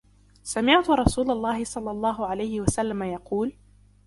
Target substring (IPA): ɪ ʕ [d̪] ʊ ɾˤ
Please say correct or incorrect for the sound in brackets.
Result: incorrect